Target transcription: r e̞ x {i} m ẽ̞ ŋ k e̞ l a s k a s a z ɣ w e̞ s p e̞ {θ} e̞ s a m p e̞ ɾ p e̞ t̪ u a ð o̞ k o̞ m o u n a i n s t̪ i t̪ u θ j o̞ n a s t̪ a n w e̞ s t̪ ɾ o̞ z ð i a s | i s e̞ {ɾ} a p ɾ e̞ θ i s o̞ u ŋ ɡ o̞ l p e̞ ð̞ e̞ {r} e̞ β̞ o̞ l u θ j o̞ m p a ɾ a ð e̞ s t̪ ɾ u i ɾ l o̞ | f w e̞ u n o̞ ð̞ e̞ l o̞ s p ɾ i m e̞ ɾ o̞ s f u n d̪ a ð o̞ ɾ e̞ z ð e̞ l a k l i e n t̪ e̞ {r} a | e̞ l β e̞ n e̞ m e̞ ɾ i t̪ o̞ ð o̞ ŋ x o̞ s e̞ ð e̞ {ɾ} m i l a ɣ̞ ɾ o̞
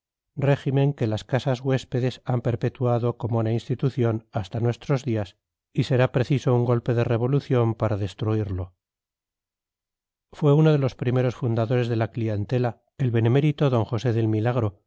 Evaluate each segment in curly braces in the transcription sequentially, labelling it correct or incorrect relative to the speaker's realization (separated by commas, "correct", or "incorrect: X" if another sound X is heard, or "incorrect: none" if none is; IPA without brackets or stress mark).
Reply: correct, incorrect: ð, correct, correct, incorrect: l, incorrect: l